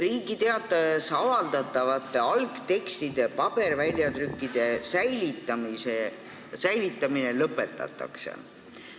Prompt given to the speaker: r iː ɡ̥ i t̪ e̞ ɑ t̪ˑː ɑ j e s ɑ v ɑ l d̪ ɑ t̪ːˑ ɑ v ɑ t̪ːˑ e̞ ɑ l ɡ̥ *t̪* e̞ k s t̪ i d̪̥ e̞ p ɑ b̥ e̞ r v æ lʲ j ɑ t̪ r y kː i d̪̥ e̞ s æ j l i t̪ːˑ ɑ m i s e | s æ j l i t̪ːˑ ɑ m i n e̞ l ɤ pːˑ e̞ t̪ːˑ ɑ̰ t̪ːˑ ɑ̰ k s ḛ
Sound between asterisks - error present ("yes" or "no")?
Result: no